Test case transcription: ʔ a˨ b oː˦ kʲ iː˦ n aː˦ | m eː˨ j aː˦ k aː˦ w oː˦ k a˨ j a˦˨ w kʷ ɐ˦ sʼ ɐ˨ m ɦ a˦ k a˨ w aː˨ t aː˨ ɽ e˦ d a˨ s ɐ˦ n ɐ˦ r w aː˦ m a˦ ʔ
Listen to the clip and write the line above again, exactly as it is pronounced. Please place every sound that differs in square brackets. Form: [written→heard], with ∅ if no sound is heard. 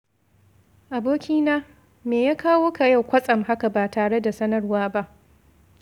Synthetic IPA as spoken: ʔ a˨ b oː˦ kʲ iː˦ n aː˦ | m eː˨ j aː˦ k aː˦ w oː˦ k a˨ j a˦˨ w kʷ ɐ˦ sʼ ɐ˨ m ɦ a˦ k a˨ [w→b] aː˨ t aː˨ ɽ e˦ d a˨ s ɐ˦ n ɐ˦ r w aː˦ [m→b] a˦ ʔ